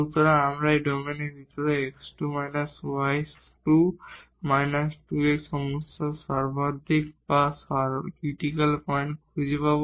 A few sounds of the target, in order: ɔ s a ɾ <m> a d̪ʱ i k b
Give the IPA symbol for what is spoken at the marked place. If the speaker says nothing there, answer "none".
b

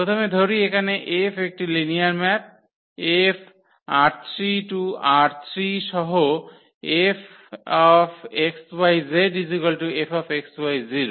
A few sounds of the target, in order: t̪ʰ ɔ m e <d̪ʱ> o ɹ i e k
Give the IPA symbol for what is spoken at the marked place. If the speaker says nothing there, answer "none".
d̪ʱ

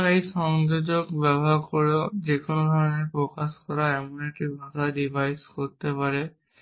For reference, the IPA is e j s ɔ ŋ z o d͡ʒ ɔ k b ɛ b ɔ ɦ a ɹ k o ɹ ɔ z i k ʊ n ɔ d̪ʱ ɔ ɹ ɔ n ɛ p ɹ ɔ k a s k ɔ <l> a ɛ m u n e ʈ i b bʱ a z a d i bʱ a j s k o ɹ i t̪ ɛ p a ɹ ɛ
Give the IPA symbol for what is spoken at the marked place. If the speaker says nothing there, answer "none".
ɹ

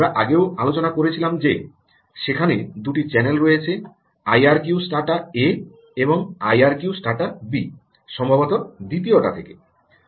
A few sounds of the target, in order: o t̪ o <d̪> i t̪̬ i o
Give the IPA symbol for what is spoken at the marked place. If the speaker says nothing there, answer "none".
d̪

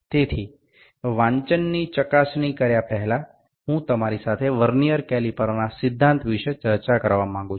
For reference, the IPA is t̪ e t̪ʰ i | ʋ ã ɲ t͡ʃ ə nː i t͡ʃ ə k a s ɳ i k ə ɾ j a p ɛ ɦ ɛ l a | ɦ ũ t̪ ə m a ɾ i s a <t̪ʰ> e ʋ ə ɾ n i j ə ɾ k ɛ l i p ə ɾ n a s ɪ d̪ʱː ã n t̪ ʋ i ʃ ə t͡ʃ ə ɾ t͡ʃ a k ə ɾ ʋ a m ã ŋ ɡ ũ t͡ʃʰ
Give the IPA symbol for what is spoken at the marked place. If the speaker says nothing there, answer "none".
t̪ʰ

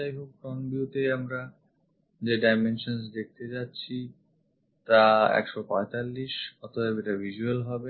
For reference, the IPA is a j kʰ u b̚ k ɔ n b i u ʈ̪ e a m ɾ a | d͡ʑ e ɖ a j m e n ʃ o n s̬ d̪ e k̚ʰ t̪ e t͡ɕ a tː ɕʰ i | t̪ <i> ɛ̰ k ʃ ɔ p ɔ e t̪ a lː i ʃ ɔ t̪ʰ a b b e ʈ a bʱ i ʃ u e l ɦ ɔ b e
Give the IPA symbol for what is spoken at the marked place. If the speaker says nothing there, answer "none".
a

